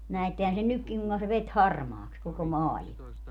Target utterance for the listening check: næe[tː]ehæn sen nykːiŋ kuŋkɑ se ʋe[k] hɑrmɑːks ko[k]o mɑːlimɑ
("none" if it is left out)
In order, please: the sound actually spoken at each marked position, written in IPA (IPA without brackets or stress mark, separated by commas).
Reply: tː, t, k